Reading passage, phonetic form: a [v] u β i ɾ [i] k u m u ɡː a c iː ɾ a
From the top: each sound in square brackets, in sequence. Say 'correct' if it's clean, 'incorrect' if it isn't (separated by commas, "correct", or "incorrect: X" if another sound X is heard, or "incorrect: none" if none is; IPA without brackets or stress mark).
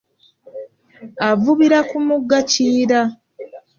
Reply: correct, incorrect: a